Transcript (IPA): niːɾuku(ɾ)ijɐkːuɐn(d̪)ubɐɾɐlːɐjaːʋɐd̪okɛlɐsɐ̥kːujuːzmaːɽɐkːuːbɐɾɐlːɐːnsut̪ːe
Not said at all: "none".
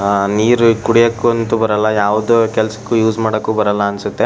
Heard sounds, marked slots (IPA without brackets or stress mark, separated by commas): ɽ, t̪